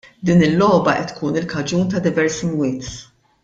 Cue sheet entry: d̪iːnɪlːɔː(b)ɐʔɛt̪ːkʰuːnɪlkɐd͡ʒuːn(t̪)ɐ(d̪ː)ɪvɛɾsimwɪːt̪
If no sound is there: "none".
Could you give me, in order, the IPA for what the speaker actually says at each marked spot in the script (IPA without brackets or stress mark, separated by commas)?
b, t̪, d̪